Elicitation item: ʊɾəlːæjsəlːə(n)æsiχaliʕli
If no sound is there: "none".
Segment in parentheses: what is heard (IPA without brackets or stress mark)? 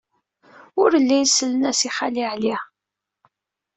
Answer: n